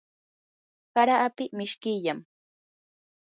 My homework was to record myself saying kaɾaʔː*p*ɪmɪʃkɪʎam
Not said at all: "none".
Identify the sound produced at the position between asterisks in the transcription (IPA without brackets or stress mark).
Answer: p